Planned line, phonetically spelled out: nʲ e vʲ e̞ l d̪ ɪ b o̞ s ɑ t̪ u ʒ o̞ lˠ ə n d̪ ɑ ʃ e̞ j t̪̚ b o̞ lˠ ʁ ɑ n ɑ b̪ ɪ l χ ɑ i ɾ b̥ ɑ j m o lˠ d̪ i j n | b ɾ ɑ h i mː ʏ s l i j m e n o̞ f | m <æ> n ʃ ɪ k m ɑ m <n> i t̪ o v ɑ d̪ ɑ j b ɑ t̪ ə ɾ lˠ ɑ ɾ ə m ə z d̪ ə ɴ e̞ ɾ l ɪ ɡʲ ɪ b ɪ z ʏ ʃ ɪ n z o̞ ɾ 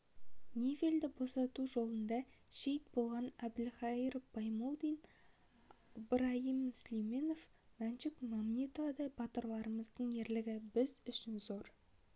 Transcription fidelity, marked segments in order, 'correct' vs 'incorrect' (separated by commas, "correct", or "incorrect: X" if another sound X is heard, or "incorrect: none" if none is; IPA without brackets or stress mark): correct, correct